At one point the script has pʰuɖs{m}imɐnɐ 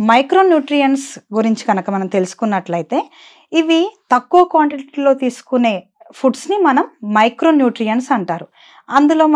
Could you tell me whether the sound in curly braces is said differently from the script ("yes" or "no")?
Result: yes